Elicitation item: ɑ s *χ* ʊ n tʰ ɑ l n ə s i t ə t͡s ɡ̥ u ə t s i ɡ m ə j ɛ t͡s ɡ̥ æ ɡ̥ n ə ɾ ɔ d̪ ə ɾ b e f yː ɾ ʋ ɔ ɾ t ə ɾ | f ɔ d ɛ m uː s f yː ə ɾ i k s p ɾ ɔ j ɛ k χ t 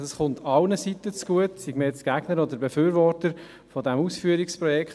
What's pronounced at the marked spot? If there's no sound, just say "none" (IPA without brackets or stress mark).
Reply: χ